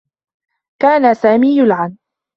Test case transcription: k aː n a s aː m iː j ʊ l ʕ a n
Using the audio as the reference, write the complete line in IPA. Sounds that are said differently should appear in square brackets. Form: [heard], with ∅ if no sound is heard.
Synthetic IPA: k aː n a s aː m iː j ʊ l ʕ a n